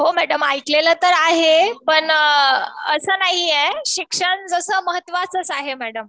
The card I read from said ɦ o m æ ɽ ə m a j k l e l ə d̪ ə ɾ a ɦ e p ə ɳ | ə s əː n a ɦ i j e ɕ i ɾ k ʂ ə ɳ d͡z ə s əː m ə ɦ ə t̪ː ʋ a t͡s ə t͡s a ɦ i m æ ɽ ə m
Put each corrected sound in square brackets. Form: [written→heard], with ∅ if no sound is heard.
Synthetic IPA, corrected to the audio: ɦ o m æ ɽ ə m a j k l e l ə [d̪→t̪] ə ɾ a ɦ e p ə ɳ | ə s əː n a ɦ i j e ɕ i [ɾ→∅] k ʂ ə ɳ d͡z ə s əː m ə ɦ ə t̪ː ʋ a t͡s ə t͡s a ɦ [i→e] m æ ɽ ə m